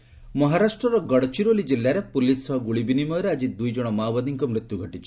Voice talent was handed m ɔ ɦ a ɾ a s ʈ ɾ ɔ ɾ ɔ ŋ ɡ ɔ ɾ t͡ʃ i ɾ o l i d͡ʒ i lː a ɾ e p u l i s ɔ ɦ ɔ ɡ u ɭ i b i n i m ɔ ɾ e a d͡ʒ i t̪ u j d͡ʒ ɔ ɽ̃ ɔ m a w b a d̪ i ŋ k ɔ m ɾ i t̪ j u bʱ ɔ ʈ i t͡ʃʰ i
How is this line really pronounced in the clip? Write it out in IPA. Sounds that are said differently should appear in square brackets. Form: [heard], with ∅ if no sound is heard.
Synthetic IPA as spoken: m ɔ ɦ a ɾ a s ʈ ɾ ɔ ɾ ɔ [∅] ɡ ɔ [ɽ] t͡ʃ i ɾ o l i d͡ʒ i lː a ɾ e p u l i s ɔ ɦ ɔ ɡ u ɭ i b i n i m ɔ ɾ e a d͡ʒ i [d̪] u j d͡ʒ ɔ ɽ̃ ɔ m a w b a d̪ i ŋ k ɔ m ɾ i t̪ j u [ɡʱ] ɔ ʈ i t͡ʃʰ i